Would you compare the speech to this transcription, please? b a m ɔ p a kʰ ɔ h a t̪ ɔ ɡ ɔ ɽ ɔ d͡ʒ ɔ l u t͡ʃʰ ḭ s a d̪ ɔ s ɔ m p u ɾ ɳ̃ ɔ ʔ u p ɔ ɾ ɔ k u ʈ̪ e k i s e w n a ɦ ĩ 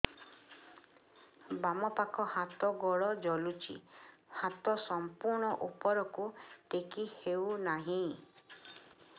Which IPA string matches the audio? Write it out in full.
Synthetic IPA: b a m ɔ p a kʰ ɔ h a t̪ ɔ ɡ ɔ ɭ ɔ d͡ʒ ɔ l u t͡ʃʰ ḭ h a t̪ ɔ s ɔ m p u ɾ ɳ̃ ɔ ʔ u p ɔ ɾ ɔ k u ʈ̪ e k i h e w n a ɦ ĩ